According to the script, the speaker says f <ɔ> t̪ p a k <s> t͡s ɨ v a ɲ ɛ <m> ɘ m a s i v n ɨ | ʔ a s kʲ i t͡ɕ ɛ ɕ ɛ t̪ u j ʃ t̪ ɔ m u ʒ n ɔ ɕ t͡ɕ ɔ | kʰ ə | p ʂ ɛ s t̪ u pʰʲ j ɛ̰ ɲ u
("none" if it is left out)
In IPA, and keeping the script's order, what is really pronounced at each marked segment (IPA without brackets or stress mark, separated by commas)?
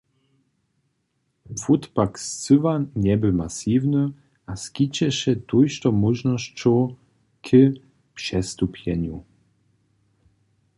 u, s, b